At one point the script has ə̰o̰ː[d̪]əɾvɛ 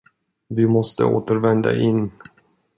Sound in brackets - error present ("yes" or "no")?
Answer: yes